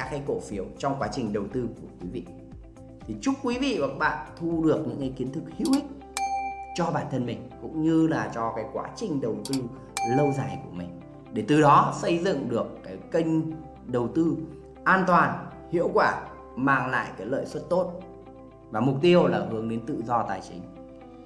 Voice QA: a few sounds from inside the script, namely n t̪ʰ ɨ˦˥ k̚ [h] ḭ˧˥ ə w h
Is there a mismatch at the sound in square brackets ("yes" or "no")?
no